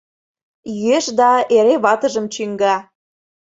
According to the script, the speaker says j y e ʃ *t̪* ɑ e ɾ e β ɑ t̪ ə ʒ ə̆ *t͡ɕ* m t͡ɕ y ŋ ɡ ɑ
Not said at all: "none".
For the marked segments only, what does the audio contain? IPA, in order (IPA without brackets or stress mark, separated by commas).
d̪, none